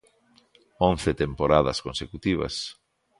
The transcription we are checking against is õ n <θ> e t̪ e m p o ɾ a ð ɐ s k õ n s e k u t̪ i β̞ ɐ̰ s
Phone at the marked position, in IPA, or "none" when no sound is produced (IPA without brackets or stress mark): θ